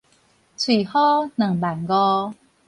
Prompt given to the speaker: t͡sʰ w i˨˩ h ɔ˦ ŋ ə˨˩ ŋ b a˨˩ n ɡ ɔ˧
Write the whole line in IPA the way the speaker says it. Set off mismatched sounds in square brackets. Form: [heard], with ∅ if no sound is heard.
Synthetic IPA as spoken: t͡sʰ w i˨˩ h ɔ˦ [n] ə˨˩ ŋ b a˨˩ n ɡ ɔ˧